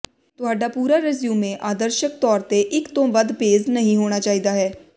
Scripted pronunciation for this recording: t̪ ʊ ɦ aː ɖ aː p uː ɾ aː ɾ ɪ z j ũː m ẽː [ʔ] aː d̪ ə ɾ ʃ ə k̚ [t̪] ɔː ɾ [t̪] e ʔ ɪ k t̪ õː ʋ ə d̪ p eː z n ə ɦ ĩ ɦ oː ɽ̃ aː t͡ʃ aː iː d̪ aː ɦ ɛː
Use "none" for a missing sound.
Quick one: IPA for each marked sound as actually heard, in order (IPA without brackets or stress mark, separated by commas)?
ʔ, t̪, t̪